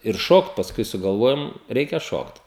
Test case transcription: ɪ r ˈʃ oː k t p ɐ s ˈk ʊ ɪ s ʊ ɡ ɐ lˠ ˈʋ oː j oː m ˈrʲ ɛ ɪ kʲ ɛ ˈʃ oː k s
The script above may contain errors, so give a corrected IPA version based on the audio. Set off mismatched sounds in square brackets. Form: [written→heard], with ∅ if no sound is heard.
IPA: ɪ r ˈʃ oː k t p ɐ s ˈk ʊ ɪ s ʊ ɡ ɐ lˠ ˈʋ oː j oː m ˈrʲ ɛ ɪ kʲ ɛ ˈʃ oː k [s→t]